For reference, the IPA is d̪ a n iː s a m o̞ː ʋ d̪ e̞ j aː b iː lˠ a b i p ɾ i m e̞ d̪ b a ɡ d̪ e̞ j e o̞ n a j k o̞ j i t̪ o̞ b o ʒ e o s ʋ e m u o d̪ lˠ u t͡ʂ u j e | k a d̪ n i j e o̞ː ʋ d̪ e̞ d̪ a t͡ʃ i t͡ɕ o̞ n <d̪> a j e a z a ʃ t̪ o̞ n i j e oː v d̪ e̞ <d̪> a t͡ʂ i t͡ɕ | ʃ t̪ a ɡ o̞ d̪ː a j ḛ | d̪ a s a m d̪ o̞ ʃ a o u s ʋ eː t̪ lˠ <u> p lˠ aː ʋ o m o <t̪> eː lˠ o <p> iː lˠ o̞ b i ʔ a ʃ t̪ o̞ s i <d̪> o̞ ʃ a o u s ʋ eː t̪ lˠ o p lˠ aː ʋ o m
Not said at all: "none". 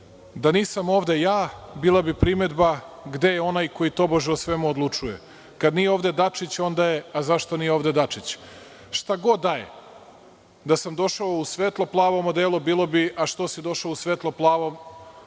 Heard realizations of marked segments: d̪, d̪, o, d̪, b, d̪

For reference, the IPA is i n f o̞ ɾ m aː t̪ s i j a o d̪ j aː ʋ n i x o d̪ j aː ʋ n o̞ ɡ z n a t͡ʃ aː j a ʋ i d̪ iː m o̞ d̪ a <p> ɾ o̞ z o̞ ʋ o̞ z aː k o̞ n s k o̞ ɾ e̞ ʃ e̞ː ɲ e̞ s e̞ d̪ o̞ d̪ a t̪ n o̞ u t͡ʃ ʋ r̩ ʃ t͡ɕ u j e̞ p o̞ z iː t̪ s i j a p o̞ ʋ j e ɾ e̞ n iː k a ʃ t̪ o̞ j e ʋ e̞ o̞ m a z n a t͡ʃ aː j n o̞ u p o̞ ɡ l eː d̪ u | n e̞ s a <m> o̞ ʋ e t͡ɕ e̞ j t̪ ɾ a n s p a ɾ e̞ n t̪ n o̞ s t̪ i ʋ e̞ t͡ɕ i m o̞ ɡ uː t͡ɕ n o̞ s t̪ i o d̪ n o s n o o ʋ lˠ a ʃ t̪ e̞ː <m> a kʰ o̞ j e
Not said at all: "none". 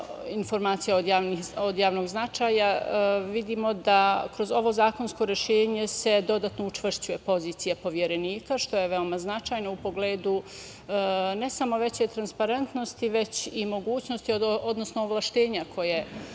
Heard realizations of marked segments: k, m, ɲ

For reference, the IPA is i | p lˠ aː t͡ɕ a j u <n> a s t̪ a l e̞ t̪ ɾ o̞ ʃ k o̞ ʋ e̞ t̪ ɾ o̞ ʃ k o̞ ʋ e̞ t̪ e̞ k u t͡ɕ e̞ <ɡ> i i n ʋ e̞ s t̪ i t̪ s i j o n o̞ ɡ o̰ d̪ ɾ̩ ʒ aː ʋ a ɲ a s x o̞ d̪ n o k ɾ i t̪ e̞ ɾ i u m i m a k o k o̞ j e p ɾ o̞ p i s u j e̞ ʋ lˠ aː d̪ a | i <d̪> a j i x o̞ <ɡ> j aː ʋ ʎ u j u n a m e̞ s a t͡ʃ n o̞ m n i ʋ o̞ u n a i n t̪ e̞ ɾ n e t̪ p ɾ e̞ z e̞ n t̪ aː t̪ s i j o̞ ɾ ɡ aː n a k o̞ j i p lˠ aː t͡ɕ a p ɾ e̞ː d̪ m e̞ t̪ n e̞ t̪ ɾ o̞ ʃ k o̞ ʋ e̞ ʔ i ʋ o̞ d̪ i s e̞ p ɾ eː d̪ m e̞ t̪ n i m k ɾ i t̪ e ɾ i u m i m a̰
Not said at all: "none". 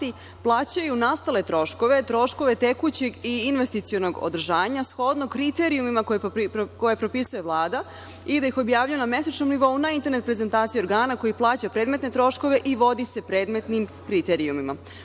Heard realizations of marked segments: n, ɡ, d̪, b

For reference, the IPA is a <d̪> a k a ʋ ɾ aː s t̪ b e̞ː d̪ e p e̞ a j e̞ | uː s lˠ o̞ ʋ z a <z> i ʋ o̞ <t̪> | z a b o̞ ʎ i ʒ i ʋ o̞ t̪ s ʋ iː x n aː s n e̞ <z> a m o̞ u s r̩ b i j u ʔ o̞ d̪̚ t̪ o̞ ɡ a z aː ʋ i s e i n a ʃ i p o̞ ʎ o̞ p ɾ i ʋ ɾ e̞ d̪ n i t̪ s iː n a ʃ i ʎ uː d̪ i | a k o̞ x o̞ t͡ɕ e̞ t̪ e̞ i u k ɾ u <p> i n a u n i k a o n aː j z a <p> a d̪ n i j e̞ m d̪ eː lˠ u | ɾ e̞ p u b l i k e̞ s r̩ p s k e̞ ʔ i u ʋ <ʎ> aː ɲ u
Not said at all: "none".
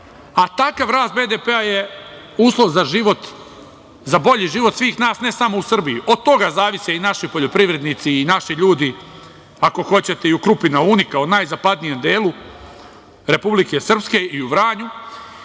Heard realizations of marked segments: t̪, ʒ, t̪, s, p, p, ɾ

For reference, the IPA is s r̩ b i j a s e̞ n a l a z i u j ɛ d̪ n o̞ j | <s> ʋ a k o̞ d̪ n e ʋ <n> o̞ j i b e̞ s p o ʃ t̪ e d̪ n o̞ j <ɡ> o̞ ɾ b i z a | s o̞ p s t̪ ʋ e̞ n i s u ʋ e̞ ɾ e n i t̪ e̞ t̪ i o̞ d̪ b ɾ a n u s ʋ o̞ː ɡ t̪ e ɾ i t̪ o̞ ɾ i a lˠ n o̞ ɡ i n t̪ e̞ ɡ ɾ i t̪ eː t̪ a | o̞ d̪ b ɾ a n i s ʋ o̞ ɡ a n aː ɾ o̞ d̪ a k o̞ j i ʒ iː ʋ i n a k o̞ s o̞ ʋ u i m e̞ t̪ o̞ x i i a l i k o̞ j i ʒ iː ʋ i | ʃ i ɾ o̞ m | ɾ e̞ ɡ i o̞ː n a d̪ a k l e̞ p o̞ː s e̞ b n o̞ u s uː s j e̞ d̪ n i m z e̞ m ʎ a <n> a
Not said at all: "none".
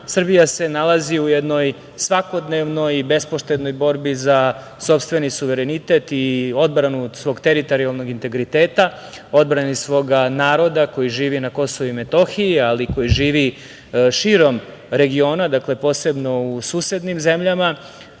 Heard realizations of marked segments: s, n, b, m

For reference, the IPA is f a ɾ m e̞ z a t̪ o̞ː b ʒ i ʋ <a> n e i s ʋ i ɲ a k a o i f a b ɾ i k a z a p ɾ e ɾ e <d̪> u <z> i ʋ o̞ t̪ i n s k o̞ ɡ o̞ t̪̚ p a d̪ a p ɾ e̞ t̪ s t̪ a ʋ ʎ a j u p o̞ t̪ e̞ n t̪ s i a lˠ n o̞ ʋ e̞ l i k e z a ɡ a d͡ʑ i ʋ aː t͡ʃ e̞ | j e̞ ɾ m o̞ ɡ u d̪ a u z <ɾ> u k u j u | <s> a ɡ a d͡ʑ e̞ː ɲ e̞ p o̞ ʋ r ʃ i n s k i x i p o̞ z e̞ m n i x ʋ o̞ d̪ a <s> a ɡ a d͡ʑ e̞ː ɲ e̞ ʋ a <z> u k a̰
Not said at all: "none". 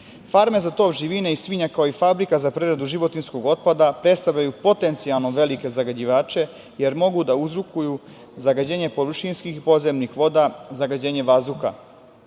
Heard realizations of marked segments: i, d̪, ʒ, ɾ, z, z, z

